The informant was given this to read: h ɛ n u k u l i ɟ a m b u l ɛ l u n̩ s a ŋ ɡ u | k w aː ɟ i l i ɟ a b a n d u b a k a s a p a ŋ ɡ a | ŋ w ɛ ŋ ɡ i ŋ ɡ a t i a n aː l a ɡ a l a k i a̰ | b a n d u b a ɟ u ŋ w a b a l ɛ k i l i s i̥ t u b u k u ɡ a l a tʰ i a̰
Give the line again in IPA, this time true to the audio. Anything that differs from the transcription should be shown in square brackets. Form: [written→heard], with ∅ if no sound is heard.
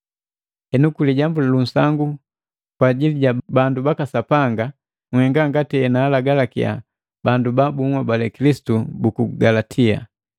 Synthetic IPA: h ɛ n u k u l i ɟ a m b u l [ɛ→a] l u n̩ s a ŋ ɡ u | k w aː ɟ i l i ɟ a b a n d u b a k a s a p a ŋ ɡ a | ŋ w ɛ ŋ ɡ [i→a] ŋ ɡ a t i [a→ɛ] n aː l a ɡ a l a k i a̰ | b a n d u b a [ɟ→b] u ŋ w a b a l ɛ k i l i s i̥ t u b u k u ɡ a l a tʰ i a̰